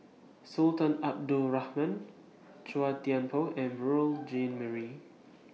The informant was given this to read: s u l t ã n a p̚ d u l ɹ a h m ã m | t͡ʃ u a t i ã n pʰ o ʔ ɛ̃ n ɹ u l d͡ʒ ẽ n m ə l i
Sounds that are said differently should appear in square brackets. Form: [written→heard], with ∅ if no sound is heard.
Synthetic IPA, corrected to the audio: s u l t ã n a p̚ d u l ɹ a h m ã [m→n] | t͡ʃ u a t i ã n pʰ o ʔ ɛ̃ n ɹ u l d͡ʒ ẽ n m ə [l→ɹ] i